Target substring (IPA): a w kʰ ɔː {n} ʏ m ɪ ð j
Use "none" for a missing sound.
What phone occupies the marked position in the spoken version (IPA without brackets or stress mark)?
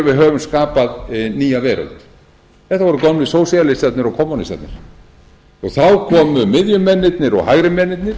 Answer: m